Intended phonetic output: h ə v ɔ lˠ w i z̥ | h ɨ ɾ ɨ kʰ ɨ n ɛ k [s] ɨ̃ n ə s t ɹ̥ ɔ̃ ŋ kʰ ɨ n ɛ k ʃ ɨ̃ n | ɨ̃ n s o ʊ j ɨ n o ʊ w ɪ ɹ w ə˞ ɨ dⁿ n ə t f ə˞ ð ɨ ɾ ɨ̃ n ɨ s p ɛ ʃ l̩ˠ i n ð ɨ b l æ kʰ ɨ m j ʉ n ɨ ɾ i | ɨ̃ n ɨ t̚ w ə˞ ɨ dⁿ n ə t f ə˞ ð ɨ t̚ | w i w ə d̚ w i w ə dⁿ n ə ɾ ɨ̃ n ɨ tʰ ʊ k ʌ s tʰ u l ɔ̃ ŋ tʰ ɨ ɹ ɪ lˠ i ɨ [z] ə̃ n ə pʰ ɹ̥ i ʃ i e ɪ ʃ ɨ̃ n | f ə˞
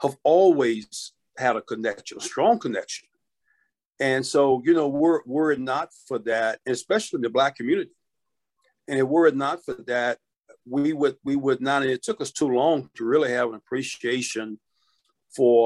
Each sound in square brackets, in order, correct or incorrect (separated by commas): incorrect, incorrect